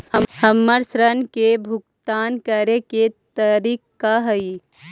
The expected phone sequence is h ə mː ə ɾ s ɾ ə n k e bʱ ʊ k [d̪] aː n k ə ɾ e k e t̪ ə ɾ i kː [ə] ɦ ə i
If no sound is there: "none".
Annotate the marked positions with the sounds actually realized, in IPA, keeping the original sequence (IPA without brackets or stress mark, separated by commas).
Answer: t̪, a